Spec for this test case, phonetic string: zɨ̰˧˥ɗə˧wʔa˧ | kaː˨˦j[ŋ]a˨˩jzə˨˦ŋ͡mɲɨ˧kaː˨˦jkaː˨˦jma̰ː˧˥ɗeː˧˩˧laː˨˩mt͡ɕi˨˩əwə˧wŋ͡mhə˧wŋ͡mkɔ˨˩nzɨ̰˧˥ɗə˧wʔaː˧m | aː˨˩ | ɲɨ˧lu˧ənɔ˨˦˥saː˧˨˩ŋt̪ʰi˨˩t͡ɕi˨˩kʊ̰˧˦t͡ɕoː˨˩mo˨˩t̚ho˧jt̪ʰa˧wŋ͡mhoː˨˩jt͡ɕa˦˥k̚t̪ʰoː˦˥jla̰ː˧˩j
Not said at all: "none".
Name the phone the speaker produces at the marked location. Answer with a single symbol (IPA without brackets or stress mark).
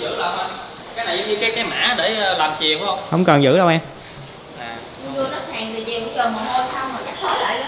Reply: n